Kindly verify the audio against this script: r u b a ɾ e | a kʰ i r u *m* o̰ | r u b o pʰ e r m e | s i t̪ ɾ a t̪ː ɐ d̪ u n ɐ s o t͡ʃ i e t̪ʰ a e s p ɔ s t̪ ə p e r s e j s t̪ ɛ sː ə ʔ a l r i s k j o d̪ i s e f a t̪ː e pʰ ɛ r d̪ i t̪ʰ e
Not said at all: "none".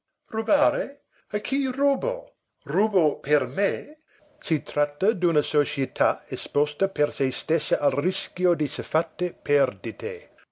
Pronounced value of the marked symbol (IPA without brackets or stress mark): b